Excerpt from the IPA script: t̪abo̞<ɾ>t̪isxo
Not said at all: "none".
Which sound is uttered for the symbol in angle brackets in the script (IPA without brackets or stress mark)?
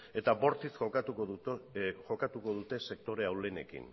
ɾ